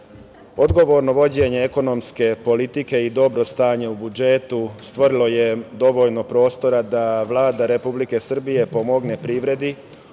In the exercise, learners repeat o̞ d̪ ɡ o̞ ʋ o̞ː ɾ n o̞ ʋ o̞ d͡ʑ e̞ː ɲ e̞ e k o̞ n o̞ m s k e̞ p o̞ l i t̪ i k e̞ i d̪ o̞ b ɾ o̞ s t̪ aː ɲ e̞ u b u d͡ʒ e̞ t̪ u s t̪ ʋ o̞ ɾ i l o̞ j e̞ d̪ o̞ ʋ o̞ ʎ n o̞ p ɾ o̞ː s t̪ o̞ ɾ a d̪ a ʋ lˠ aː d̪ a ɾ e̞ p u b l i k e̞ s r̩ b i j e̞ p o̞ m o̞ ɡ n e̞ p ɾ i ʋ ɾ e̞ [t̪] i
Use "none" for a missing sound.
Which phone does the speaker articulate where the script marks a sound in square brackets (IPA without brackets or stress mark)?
d̪